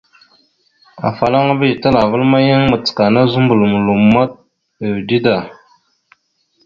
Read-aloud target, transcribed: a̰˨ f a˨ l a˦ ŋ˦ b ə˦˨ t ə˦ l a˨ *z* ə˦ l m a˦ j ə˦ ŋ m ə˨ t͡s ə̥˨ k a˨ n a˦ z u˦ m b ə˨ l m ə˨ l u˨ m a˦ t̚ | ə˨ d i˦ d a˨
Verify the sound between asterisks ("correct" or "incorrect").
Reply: incorrect